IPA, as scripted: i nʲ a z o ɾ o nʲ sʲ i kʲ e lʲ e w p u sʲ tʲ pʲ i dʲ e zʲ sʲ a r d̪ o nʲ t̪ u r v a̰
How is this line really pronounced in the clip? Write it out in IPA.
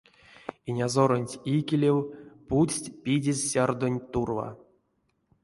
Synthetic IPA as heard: i nʲ a z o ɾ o nʲ tʲ i kʲ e lʲ e w p u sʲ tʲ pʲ i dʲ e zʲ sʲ a r d̪ o nʲ t̪ u r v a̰